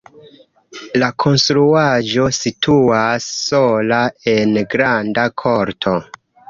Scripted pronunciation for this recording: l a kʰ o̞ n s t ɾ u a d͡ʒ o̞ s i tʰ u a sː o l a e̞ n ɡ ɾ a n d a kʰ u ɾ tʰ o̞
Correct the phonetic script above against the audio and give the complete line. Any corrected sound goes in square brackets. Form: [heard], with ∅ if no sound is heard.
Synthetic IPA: l a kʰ o̞ n s t ɾ u a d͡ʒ o̞ s i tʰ u a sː o l a e̞ n ɡ ɾ a n d a kʰ [o] ɾ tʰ o̞